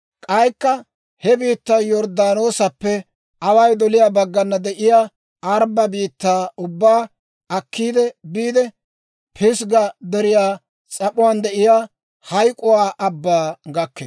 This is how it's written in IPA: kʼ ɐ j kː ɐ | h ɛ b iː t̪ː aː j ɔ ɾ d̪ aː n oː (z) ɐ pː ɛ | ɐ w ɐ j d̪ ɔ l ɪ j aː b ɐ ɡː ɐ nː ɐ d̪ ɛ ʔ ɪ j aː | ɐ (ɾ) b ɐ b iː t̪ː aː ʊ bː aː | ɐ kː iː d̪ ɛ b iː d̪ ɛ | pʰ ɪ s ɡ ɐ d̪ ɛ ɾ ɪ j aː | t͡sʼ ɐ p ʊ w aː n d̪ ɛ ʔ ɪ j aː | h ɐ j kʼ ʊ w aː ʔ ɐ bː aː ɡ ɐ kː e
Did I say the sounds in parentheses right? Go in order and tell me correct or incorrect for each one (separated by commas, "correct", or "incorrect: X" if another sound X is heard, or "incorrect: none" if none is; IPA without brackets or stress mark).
incorrect: s, correct